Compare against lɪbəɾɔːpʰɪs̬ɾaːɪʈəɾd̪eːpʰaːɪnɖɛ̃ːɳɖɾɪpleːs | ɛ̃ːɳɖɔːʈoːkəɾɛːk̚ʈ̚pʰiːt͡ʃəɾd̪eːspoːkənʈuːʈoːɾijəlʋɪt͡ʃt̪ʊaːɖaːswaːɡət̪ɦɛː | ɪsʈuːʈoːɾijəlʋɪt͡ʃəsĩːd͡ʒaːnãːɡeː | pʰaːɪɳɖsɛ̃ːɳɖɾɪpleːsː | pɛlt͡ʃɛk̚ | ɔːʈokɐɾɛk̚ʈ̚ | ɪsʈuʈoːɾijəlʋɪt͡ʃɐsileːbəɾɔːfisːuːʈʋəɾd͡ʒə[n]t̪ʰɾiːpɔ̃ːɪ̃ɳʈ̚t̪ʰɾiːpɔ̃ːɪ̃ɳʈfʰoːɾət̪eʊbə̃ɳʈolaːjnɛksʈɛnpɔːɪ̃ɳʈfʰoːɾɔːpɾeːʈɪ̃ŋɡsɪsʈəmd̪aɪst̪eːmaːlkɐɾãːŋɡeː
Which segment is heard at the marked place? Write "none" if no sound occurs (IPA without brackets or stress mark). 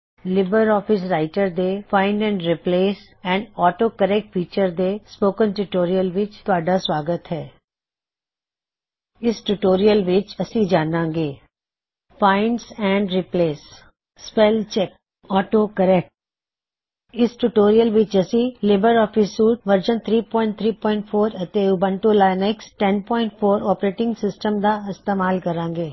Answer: n